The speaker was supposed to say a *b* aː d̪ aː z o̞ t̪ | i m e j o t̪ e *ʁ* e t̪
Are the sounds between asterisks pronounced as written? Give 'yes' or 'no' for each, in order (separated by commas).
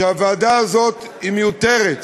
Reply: no, yes